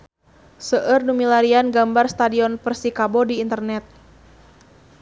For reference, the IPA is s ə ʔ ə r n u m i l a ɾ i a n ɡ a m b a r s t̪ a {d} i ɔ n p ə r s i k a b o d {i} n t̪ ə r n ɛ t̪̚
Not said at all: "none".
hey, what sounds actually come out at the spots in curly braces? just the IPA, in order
d, iː

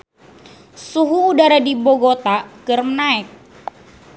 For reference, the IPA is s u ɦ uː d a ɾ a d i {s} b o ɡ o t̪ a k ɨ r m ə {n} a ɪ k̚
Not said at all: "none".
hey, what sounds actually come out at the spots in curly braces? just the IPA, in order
none, n

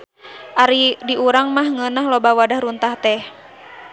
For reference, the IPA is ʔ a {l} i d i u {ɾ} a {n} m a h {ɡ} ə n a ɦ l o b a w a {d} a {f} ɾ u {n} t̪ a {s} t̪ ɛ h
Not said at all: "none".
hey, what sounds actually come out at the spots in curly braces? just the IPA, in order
ɾ, ɾ, ŋ, ŋ, d, h, n, h

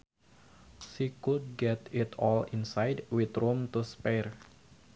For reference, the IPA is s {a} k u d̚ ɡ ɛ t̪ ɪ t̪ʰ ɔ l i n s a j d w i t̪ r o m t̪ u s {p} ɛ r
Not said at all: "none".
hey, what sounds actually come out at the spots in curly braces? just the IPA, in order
i, p

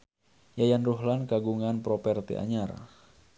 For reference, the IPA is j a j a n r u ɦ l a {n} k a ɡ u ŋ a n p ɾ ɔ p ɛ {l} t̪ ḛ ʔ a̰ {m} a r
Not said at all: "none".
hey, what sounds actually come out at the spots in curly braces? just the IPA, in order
n, r, ɲ

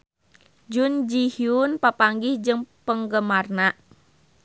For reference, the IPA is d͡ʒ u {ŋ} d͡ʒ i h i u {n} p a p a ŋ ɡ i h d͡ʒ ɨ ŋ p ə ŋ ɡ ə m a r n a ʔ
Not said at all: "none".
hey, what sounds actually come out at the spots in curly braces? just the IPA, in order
n, n

